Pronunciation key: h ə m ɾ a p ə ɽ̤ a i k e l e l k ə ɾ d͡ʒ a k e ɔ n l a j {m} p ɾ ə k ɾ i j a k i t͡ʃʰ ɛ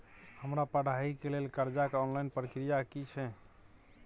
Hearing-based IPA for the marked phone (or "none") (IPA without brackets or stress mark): n